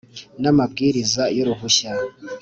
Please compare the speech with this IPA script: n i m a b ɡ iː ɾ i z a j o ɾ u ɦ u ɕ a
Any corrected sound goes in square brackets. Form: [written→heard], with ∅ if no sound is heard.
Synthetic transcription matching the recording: n [i→a] m a b ɡ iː ɾ i z a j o ɾ u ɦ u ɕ a